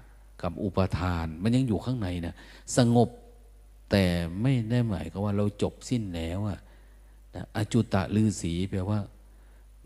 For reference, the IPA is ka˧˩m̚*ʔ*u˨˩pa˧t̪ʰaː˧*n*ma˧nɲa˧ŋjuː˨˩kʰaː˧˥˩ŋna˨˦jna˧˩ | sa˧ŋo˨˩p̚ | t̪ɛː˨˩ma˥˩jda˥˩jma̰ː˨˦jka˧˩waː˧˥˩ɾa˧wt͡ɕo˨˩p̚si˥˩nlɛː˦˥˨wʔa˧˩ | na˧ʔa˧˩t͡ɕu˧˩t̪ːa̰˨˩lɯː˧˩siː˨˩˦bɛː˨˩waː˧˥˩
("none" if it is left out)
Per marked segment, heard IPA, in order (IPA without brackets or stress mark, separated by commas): ʔ, n